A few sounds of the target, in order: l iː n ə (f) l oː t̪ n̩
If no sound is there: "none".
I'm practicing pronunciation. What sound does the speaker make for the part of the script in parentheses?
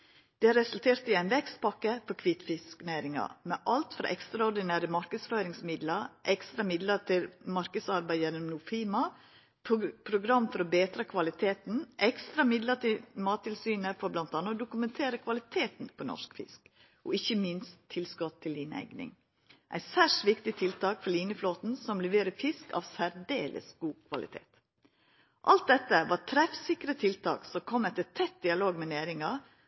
f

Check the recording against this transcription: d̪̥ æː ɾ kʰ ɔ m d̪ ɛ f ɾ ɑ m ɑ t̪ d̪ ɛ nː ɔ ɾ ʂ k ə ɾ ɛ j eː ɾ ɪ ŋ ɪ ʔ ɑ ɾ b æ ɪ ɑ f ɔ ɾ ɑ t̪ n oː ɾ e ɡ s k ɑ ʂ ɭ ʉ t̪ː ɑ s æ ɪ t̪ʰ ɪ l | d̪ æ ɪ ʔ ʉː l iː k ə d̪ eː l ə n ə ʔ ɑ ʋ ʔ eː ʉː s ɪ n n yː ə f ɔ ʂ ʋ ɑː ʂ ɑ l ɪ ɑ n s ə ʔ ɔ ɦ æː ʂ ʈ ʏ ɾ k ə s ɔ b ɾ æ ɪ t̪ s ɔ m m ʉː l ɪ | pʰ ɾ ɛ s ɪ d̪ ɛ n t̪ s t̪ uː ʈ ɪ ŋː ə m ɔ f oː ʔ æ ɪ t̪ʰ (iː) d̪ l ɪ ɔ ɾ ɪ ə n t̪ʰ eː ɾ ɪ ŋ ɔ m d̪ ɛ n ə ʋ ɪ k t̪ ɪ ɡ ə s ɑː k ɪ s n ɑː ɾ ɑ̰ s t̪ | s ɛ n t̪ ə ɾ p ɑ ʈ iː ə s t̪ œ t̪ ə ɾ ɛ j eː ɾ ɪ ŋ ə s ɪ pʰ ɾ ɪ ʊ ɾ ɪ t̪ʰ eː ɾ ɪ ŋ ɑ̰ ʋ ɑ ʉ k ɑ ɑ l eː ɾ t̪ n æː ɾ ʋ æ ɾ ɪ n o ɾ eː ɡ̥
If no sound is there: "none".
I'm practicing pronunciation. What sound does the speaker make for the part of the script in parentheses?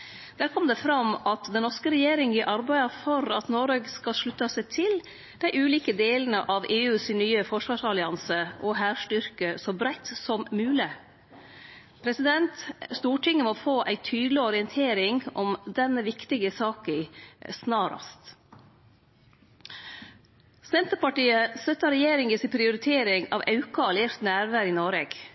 yː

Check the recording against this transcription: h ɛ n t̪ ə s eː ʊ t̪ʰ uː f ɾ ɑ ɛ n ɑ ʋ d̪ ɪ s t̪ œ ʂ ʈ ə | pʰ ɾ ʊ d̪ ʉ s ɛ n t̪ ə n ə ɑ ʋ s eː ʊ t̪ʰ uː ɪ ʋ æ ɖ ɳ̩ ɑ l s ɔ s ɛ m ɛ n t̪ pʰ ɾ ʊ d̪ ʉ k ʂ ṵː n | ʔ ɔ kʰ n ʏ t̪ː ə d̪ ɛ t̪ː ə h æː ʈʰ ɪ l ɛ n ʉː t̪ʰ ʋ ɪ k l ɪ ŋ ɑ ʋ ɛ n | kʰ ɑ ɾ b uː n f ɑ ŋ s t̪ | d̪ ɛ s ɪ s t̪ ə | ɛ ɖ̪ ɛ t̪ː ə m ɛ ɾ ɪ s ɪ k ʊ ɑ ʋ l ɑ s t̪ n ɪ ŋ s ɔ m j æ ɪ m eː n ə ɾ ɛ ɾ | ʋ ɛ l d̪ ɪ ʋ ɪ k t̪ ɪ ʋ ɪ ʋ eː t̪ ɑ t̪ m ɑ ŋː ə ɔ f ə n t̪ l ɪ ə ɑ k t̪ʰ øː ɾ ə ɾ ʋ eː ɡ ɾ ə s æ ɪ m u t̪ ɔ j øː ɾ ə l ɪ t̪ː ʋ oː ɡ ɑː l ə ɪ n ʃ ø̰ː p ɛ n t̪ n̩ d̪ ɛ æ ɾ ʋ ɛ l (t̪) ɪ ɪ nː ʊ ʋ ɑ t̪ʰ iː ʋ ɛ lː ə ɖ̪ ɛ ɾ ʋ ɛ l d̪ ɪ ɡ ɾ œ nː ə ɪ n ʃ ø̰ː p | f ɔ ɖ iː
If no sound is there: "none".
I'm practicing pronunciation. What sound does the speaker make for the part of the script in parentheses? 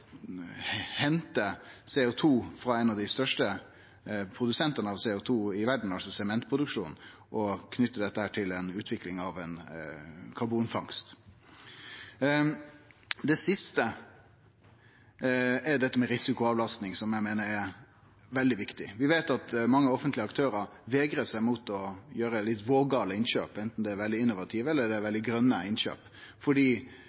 d̪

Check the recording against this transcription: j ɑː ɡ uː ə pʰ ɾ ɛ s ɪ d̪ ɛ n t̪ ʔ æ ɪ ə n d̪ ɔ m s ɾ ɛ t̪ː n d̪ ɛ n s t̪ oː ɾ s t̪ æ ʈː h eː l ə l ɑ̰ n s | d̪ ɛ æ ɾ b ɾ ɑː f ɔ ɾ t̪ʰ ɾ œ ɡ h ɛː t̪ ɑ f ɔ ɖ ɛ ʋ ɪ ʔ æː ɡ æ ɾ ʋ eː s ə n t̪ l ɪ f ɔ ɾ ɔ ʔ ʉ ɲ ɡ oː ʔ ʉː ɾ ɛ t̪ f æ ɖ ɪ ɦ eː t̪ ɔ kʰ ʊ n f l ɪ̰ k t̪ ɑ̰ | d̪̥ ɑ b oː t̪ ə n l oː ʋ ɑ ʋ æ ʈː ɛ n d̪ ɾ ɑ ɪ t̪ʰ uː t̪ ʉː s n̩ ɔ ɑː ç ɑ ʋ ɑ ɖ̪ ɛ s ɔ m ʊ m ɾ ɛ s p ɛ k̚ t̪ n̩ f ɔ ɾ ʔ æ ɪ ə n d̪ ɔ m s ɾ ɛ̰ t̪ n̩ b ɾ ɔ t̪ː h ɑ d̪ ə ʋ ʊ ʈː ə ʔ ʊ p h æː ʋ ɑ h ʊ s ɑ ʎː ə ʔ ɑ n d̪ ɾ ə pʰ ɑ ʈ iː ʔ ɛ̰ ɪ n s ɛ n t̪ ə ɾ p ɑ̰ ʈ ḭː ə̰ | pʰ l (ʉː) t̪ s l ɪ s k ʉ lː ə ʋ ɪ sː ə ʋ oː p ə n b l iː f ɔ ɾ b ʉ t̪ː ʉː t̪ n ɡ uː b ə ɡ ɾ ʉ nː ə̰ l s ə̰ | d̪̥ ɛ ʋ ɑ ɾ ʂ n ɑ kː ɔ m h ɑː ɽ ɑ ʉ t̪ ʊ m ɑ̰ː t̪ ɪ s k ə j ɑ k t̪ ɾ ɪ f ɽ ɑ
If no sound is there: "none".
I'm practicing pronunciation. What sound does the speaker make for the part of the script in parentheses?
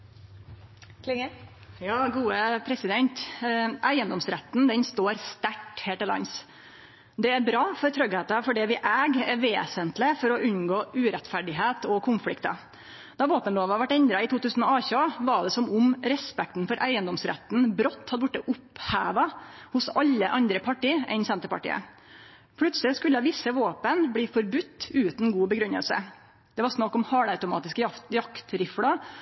ʉ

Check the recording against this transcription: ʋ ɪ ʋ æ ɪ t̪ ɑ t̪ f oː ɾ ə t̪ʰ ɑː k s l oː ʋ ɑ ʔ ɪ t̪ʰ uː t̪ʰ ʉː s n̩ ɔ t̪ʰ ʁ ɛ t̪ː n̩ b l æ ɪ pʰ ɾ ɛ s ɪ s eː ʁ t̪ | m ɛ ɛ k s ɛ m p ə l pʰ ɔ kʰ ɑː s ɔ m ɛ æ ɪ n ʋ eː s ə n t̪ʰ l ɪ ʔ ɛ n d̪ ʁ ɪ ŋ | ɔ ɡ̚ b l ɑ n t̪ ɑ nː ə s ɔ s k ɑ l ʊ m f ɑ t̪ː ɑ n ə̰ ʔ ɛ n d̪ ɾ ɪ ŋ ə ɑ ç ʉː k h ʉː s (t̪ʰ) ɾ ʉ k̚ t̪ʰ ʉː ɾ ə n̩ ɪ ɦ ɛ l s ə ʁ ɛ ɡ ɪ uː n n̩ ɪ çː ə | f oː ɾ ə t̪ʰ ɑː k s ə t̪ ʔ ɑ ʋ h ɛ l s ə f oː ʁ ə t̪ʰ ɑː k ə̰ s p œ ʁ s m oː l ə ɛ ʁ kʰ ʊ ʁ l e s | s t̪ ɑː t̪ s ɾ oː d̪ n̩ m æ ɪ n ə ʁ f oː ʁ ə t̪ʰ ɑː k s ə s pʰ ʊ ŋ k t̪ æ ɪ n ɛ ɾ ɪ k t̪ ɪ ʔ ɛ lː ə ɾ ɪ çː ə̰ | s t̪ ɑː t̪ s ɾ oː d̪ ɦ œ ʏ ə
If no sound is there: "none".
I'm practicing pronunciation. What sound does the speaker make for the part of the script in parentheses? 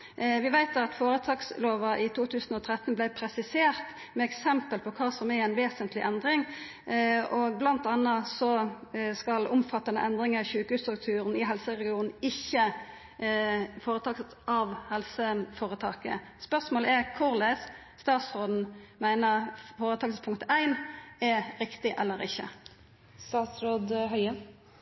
t̪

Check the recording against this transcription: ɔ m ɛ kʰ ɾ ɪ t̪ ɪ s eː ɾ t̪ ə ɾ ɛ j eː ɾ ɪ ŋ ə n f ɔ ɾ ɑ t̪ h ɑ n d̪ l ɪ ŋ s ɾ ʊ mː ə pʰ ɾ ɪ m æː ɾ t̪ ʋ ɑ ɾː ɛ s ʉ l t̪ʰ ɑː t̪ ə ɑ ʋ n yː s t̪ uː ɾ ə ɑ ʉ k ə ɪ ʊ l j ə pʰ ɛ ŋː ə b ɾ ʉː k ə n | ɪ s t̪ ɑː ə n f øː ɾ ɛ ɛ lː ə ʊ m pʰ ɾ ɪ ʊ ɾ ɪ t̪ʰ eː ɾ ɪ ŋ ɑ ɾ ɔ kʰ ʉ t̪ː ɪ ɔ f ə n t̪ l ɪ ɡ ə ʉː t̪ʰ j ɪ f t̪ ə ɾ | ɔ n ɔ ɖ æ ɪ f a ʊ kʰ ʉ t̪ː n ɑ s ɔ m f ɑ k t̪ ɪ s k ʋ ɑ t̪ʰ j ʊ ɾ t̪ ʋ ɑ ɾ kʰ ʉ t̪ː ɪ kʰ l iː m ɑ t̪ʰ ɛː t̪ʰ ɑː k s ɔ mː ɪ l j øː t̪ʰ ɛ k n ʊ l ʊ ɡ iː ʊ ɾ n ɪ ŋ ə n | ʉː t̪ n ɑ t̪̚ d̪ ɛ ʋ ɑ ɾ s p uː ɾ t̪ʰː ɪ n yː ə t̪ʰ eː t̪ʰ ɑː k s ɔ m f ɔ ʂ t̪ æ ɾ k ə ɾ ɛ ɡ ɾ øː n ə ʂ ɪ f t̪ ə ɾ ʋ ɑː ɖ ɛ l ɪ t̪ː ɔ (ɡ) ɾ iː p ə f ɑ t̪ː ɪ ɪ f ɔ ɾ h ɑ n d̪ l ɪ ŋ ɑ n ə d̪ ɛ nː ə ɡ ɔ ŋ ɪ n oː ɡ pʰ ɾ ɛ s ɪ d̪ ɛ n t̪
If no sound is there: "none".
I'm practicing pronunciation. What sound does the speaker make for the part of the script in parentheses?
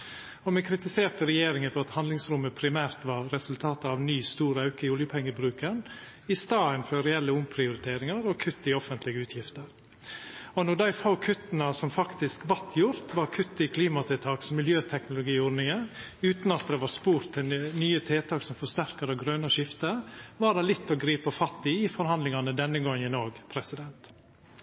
ɡ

